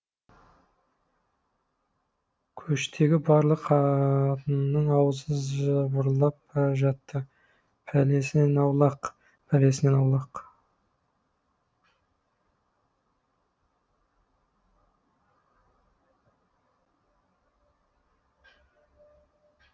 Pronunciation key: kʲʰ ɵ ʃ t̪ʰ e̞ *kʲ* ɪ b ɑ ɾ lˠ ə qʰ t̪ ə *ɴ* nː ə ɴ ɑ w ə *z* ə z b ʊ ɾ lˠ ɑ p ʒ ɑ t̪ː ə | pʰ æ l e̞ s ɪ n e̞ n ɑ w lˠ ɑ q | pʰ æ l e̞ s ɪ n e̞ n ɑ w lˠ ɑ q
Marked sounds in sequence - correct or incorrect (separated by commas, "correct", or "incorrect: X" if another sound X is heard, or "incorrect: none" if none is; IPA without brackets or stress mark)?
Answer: incorrect: ɡʲ, incorrect: n, correct